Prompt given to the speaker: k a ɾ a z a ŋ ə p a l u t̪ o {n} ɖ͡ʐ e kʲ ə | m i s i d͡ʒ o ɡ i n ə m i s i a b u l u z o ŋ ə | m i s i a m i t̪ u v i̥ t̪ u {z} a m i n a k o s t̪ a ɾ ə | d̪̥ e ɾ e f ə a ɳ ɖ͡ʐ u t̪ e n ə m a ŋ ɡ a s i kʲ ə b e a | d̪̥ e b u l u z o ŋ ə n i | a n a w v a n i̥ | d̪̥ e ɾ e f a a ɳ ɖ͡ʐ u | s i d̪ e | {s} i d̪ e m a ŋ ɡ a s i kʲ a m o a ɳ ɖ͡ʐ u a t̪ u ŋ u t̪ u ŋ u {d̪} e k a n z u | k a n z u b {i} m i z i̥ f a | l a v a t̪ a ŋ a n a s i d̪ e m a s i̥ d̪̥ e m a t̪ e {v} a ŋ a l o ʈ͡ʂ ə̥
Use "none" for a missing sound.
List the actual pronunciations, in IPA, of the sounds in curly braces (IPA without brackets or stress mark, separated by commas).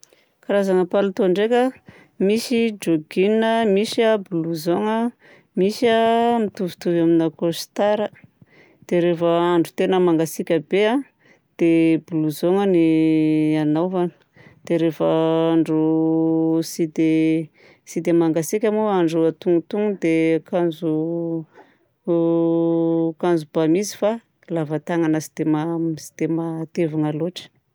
ɳ, v, s, d̪, a, v